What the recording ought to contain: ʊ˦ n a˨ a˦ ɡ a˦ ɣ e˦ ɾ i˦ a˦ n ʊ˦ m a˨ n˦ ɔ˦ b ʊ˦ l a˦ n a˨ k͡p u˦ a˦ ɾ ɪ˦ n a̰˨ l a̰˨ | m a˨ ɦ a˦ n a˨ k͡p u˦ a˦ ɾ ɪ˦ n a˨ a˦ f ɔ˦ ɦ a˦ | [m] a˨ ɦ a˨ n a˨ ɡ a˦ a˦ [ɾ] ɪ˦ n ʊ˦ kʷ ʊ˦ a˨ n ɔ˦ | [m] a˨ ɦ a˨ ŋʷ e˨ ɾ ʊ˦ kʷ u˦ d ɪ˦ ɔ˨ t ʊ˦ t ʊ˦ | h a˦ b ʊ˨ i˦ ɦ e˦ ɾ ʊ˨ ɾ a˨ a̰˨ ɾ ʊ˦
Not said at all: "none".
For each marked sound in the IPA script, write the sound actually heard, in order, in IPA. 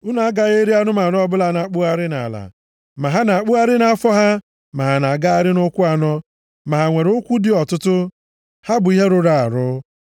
m, ɾ, m

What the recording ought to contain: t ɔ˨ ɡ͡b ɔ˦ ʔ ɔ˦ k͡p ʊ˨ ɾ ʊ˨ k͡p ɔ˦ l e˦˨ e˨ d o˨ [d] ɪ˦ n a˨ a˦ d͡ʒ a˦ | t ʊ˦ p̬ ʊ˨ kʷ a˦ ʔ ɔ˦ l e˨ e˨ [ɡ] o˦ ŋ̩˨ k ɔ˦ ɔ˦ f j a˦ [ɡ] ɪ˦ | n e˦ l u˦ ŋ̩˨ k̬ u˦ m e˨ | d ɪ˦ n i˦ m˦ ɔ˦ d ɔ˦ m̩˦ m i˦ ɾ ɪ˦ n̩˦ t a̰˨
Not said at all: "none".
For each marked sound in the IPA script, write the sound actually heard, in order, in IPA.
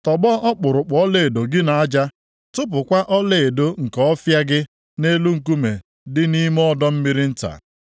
ɡ, d, ɡ

